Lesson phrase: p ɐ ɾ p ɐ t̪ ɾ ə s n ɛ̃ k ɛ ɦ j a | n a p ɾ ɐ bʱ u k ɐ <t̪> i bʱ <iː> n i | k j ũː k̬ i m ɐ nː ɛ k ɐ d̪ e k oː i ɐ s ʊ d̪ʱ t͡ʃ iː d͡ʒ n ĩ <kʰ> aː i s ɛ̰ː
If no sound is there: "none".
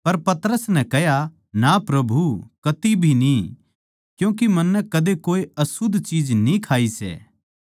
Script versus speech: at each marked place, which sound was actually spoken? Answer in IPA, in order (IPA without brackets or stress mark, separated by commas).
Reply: t̪, i, kʰ